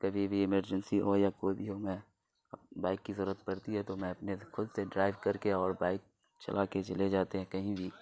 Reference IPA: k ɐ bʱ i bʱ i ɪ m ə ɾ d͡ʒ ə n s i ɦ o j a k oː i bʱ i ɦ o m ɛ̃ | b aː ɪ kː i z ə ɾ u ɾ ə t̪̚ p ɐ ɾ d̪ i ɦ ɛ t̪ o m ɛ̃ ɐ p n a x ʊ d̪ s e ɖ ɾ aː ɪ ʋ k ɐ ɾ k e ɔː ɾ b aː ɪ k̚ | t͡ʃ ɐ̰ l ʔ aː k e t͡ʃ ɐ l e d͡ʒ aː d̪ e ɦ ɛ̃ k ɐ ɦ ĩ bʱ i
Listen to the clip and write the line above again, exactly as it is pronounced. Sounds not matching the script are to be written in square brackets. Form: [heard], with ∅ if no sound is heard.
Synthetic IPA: k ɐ bʱ i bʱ i ɪ m ə ɾ d͡ʒ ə n s i ɦ o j a k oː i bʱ i ɦ o m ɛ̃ | b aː ɪ kː i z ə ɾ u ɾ ə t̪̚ p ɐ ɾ [t̪] i ɦ ɛ t̪ o m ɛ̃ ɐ p n [e] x ʊ d̪ s e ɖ ɾ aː ɪ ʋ k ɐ ɾ k e ɔː ɾ b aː ɪ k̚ | t͡ʃ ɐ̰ l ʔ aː k e t͡ʃ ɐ l e d͡ʒ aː [t̪] e ɦ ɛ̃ k ɐ ɦ ĩ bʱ i

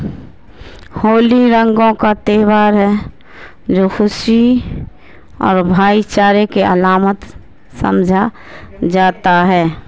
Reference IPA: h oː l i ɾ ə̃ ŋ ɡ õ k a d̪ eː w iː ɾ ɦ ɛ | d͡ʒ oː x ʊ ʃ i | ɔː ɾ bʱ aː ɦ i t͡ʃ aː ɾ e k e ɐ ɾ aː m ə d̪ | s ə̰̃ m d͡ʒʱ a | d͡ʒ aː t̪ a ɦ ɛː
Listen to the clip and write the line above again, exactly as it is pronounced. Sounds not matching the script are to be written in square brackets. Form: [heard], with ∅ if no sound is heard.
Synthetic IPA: h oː l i ɾ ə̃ ŋ ɡ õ k a [t̪] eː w [aː] ɾ ɦ ɛ | d͡ʒ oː x ʊ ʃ i | ɔː ɾ bʱ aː [∅] i t͡ʃ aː ɾ e k e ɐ [l] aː m ə [t̪] | s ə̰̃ m d͡ʒʱ a | d͡ʒ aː t̪ a ɦ ɛː

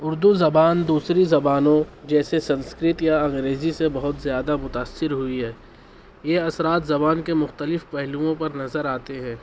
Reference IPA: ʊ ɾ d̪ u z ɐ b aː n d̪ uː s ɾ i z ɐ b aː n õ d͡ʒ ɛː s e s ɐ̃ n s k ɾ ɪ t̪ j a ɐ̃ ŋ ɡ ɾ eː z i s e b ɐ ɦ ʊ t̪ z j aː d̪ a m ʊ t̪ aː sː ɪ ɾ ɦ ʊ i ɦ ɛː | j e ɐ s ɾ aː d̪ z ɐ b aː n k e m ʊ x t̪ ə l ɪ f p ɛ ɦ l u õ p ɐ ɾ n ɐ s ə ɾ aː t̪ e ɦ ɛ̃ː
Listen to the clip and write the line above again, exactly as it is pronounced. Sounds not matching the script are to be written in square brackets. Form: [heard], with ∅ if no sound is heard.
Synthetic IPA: ʊ ɾ d̪ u z ɐ b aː n d̪ uː s ɾ i z ɐ b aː n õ d͡ʒ ɛː s e s ɐ̃ n s k ɾ ɪ t̪ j a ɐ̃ ŋ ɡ ɾ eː z i s e b ɐ ɦ ʊ t̪ z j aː d̪ a m ʊ t̪ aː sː ɪ ɾ ɦ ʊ i ɦ ɛː | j e ɐ s ɾ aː [t̪] z ɐ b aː n k e m ʊ x t̪ ə l ɪ f p ɛ ɦ l u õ p ɐ ɾ n ɐ [z] ə ɾ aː t̪ e ɦ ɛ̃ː

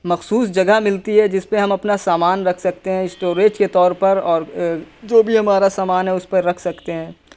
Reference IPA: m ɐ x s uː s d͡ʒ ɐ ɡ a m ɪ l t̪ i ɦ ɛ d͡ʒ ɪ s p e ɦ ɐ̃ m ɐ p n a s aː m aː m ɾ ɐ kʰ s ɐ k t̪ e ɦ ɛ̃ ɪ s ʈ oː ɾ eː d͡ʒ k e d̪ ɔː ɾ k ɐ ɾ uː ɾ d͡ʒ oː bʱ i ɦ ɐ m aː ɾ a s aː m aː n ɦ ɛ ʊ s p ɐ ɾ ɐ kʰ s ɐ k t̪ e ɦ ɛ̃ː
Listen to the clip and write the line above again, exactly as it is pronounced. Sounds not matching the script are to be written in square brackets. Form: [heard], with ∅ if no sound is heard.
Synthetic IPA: m ɐ x s uː s d͡ʒ ɐ ɡ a m ɪ l t̪ i ɦ ɛ d͡ʒ ɪ s p e ɦ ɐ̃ m ɐ p n a s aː m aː [n] ɾ ɐ kʰ s ɐ k t̪ e ɦ ɛ̃ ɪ s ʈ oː ɾ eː d͡ʒ k e [t̪] ɔː ɾ [p] ɐ ɾ [ɔː] ɾ d͡ʒ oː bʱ i ɦ ɐ m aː ɾ a s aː m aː n ɦ ɛ ʊ s p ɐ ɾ ɐ kʰ s ɐ k t̪ e ɦ ɛ̃ː

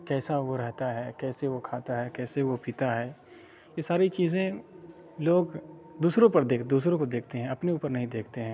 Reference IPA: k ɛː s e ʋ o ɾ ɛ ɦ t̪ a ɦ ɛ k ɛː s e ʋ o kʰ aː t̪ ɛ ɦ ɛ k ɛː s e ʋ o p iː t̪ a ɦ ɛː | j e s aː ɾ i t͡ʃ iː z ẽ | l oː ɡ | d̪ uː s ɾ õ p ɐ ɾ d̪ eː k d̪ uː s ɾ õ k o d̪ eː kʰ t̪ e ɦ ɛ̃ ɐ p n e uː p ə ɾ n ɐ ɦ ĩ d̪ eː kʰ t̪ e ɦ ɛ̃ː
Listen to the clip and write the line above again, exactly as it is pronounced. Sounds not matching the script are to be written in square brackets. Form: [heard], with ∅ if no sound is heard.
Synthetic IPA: k ɛː s [a] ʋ o ɾ ɛ ɦ t̪ a ɦ ɛ k ɛː s e ʋ o kʰ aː t̪ [a] ɦ ɛ k ɛː s e ʋ o p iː t̪ a ɦ ɛː | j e s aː ɾ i t͡ʃ iː z ẽ | l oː ɡ | d̪ uː s ɾ õ p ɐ ɾ d̪ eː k d̪ uː s ɾ õ k o d̪ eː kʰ t̪ e ɦ ɛ̃ ɐ p n e uː p ə ɾ n ɐ ɦ ĩ d̪ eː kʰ t̪ e ɦ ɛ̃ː

